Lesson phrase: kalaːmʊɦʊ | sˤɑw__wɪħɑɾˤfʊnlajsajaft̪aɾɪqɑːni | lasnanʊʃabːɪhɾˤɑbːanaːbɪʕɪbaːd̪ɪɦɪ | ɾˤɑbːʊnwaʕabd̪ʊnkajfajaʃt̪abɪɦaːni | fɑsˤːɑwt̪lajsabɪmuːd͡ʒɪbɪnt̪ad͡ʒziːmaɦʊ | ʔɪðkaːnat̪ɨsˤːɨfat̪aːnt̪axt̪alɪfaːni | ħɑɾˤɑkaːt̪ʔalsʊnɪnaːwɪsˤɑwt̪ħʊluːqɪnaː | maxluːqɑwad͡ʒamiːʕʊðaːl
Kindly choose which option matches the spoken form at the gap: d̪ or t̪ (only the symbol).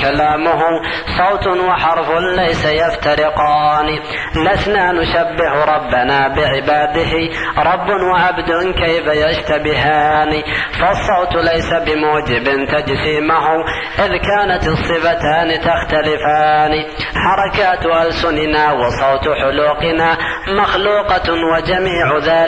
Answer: t̪